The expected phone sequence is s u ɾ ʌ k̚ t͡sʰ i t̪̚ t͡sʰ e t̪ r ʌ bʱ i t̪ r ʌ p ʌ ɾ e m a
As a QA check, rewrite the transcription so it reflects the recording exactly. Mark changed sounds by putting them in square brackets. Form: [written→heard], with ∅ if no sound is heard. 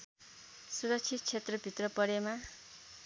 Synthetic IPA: s u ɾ ʌ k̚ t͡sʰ i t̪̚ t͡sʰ e t̪ r ʌ bʱ i t̪ r ʌ p ʌ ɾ e m a